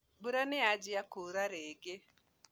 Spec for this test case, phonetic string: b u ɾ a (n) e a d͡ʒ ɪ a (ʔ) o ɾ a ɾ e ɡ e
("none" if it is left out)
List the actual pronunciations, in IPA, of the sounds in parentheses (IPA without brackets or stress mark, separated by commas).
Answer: n, k